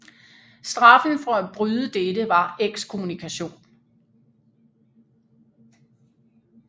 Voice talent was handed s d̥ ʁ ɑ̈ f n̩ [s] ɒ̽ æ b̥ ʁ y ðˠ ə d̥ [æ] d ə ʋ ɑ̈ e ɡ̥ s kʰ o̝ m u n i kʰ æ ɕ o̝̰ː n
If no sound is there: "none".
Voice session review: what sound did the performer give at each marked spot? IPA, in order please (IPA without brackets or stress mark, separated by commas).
f, e